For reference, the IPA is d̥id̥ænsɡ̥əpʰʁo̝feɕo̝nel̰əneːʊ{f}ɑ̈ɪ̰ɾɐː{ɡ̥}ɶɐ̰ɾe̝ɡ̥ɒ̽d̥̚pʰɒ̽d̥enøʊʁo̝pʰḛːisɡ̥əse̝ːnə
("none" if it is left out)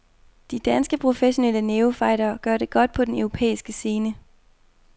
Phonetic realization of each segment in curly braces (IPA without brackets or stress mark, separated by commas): f, ɡ̥